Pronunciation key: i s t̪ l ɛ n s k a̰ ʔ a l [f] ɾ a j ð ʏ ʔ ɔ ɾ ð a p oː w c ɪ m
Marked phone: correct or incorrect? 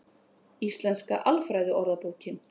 correct